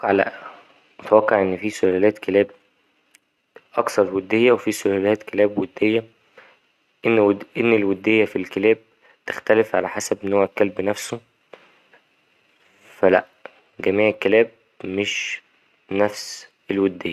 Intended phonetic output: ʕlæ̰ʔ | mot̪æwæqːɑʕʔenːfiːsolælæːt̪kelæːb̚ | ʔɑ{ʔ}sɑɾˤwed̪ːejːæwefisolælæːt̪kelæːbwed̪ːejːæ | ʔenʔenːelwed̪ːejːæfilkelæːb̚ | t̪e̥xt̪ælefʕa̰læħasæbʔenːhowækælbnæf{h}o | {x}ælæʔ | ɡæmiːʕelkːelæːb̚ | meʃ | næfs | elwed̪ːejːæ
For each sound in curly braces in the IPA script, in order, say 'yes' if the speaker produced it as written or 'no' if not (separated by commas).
no, no, no